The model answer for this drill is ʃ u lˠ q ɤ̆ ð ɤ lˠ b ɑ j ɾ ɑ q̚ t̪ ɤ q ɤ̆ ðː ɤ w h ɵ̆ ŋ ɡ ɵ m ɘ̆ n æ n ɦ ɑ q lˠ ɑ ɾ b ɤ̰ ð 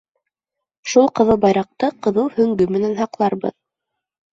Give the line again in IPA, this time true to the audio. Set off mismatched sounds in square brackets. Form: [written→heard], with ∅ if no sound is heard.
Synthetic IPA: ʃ u lˠ q ɤ̆ ð ɤ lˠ b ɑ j ɾ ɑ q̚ t̪ ɤ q ɤ̆ [ðː→ð] ɤ w h ɵ̆ ŋ ɡ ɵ m ɘ̆ n æ n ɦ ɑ q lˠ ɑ ɾ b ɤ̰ ð